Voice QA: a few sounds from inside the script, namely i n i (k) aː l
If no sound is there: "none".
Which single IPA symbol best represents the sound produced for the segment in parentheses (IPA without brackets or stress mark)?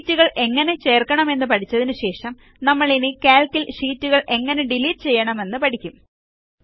k